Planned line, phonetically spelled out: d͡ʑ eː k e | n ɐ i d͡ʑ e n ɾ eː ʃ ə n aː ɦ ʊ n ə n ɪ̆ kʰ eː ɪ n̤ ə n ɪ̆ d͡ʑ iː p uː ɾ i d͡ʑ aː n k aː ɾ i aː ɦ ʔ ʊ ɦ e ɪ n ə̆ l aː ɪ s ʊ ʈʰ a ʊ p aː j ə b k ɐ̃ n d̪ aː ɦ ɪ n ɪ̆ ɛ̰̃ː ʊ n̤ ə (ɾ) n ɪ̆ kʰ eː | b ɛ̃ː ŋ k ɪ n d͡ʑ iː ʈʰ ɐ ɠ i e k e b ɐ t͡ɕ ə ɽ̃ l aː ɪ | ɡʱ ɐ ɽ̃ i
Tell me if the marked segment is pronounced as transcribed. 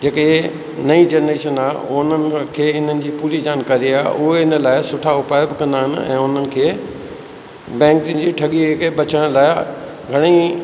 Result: no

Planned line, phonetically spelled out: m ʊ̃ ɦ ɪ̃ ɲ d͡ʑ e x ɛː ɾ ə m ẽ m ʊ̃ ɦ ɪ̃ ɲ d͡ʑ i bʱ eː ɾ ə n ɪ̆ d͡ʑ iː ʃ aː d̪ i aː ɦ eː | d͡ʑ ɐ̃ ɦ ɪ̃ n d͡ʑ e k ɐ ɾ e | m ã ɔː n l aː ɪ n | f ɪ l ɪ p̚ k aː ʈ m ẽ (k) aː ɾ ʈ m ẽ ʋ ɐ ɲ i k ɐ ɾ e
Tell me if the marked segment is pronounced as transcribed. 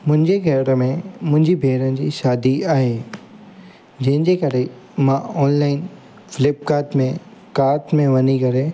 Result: yes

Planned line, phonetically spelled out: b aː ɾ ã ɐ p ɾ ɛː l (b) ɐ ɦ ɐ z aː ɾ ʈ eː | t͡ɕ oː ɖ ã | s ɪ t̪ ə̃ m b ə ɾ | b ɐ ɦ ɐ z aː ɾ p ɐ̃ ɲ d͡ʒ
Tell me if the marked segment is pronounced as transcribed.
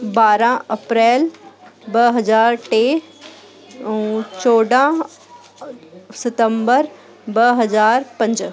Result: yes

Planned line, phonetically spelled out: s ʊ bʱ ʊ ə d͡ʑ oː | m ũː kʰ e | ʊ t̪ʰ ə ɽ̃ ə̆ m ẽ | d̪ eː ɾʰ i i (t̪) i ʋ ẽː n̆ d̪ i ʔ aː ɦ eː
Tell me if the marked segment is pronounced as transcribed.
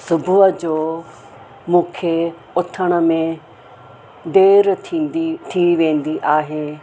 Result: no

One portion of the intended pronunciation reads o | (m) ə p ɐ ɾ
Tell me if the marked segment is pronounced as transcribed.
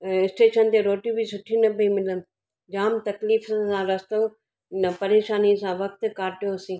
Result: no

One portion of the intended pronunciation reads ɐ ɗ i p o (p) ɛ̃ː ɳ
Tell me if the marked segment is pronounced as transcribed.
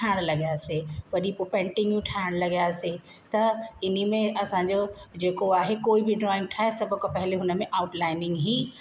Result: yes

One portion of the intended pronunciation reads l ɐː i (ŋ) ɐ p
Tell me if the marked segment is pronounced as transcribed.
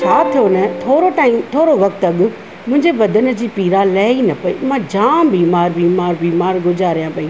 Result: no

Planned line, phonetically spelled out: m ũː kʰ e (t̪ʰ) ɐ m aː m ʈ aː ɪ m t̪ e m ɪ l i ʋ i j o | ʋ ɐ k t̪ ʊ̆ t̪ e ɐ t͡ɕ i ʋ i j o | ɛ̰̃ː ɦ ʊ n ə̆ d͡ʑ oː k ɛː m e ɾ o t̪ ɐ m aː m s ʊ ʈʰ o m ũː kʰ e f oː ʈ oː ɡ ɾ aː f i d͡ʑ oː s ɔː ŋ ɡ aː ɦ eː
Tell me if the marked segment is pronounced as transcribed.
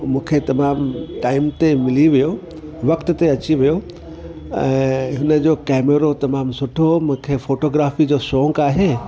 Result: no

